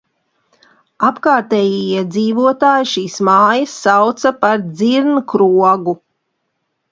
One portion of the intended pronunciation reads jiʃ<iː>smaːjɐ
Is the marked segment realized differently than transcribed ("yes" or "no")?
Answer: no